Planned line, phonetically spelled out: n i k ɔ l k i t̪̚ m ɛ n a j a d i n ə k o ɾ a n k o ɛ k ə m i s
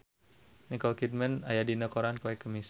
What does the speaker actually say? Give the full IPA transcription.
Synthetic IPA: n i k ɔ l k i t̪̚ m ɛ n a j a d i n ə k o ɾ a n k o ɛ k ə m i s